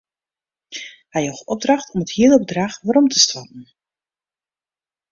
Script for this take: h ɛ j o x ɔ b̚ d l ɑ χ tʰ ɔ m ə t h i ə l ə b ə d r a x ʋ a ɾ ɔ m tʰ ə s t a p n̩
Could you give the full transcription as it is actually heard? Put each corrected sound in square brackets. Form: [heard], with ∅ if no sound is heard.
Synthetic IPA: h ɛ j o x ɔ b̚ d [r] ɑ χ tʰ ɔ m ə t h i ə l ə b ə d r a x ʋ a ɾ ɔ m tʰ ə s t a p n̩